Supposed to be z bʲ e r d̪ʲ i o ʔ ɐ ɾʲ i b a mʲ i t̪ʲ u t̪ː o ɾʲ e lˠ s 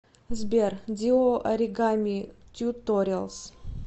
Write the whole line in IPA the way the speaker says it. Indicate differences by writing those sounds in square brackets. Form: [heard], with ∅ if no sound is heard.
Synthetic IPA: z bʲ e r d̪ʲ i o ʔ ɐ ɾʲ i [ɡ] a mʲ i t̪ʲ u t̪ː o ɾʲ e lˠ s